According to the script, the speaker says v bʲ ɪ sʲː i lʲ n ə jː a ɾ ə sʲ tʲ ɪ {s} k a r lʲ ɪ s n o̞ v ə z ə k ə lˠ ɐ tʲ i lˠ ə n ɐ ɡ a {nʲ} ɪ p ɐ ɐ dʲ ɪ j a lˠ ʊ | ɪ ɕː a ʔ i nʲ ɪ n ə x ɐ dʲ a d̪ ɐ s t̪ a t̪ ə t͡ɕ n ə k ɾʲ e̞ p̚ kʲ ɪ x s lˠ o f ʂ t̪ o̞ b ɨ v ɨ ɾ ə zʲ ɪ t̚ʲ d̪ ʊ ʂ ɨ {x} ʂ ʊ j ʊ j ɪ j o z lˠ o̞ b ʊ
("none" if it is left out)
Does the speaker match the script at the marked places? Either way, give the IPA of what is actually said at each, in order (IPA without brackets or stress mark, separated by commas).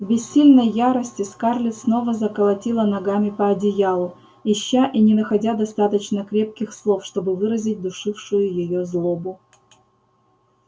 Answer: s, mʲ, f